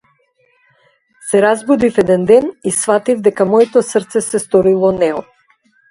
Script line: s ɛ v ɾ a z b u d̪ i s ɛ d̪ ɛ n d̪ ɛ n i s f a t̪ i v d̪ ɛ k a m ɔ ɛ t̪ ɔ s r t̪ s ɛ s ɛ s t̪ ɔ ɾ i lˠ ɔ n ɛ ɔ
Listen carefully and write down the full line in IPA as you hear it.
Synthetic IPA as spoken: s ɛ ɾ a z b u d̪ i f ɛ d̪ ɛ n d̪ ɛ n i s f a t̪ i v d̪ ɛ k a m ɔ ɛ t̪ ɔ s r t̪ s ɛ s ɛ s t̪ ɔ ɾ i lˠ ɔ n ɛ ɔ